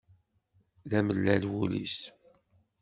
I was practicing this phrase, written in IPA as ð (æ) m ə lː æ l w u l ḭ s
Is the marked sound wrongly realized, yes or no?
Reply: no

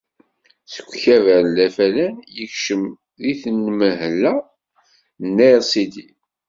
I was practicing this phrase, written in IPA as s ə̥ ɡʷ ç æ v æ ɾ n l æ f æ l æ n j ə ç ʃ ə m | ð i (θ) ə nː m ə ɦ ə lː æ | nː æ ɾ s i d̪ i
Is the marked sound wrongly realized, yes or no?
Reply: no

